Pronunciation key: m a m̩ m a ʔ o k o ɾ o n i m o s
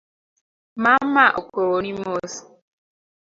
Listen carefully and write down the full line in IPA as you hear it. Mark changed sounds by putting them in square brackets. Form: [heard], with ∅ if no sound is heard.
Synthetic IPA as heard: m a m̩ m a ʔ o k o ɾ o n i m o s